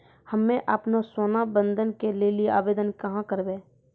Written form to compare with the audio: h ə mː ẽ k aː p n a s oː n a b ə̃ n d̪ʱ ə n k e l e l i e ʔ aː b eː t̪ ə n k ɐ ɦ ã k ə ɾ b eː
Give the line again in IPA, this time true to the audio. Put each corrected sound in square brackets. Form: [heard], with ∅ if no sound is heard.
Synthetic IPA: h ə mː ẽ [ʔ] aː p n a s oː n a b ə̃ n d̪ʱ ə n k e l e l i e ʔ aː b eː [d̪] ə n k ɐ ɦ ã k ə ɾ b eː